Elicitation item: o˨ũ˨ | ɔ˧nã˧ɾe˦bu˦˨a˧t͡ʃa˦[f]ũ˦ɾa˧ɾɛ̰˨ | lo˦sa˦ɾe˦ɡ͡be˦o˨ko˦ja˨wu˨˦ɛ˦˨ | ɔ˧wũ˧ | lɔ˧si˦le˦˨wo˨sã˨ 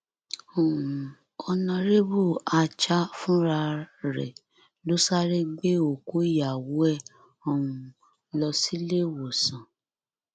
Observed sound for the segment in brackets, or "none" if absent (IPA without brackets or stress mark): f